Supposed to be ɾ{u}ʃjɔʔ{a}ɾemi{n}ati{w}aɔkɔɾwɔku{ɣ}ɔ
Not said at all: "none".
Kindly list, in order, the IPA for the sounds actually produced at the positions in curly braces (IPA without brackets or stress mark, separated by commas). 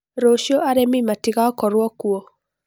o, a, m, ɣ, none